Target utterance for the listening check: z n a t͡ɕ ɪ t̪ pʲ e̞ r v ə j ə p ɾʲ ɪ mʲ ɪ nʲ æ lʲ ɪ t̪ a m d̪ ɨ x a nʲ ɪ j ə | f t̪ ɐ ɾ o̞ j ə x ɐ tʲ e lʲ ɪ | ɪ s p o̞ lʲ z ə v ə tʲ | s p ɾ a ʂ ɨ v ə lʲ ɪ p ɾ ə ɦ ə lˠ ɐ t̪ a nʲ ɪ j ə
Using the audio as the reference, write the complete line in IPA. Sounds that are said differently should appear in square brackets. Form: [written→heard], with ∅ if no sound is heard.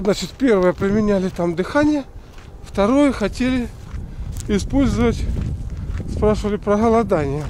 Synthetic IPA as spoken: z n a t͡ɕ ɪ t̪ pʲ e̞ r v ə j ə p ɾʲ ɪ mʲ ɪ nʲ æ lʲ ɪ t̪ a m d̪ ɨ x a nʲ ɪ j ə | f t̪ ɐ ɾ o̞ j ə x ɐ tʲ e lʲ ɪ | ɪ s p o̞ lʲ z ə v ə tʲ | s p ɾ a ʂ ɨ v ə lʲ ɪ p ɾ ə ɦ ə lˠ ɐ [t̪→d̪] a nʲ ɪ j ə